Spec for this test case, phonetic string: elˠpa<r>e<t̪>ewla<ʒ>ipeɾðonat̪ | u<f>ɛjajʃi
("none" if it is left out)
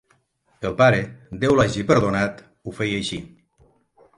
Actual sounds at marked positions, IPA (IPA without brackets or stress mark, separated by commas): ɾ, d̪, ʒ, f